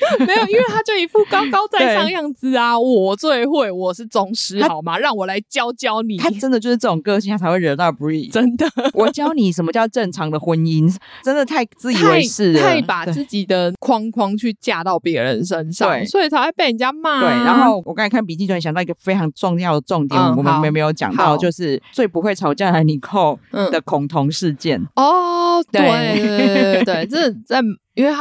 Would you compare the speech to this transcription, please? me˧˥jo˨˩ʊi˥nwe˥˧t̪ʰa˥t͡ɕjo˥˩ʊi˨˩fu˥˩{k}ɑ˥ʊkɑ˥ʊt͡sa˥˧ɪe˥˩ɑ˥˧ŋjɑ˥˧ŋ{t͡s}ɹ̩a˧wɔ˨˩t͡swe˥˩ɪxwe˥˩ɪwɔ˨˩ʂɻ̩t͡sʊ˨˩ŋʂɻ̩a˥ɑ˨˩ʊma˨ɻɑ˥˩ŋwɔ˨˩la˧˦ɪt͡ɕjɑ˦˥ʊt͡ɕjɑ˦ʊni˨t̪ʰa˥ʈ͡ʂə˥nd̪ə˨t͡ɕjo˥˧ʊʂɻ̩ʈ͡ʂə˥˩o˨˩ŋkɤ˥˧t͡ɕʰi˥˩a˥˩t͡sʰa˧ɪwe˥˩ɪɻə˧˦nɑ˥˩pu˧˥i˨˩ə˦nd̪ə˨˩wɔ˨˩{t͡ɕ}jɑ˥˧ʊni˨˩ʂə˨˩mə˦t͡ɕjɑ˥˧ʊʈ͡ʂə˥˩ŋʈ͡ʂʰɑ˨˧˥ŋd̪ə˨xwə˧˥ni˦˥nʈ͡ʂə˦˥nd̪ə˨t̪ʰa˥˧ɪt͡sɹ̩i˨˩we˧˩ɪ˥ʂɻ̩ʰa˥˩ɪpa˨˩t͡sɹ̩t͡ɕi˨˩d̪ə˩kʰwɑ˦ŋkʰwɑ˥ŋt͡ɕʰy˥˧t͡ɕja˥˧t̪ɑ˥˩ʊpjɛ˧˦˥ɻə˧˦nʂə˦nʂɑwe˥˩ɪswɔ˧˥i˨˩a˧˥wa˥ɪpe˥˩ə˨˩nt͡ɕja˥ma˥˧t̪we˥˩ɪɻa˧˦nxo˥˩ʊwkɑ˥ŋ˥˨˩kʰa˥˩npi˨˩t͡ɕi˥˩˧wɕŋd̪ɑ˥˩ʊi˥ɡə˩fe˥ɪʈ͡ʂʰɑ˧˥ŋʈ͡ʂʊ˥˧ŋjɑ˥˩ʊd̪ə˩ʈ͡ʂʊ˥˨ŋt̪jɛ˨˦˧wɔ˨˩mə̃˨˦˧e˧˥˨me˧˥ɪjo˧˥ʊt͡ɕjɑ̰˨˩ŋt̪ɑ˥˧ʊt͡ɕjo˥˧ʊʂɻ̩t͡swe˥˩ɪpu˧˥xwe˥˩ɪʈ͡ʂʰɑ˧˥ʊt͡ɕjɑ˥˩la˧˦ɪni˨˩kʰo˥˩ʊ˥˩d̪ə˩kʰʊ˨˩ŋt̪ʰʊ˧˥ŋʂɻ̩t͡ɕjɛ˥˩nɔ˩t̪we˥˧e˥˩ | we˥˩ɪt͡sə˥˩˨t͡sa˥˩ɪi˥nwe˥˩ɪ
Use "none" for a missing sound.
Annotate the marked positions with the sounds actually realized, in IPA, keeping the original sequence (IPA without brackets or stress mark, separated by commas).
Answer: k, t͡s, t͡ɕ